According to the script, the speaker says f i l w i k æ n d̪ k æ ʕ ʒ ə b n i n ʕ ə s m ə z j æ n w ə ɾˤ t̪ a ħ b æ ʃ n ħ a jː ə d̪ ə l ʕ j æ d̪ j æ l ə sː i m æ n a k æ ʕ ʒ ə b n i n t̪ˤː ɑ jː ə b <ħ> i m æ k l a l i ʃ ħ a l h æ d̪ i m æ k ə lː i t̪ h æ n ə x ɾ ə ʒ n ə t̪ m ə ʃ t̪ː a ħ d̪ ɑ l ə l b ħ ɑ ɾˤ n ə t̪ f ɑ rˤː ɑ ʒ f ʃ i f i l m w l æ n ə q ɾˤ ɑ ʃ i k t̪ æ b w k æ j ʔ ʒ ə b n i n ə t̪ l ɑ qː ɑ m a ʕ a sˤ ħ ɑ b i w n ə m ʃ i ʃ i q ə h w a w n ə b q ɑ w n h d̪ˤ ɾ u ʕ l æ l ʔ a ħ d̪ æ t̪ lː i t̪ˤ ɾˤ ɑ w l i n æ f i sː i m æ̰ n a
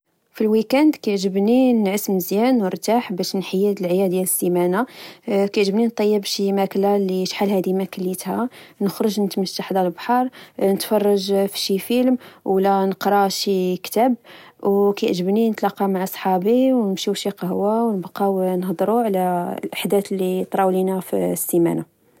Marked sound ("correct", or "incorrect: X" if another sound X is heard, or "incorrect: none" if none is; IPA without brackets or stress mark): incorrect: ʃ